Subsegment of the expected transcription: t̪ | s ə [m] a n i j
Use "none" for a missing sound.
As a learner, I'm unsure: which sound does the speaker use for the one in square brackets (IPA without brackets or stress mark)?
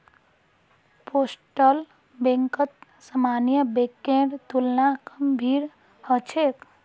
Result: m